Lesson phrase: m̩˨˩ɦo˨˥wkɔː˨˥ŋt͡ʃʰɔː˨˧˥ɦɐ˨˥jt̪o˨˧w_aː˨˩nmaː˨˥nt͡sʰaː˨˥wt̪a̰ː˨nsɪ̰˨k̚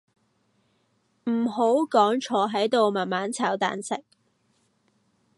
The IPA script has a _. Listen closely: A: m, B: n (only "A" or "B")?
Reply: A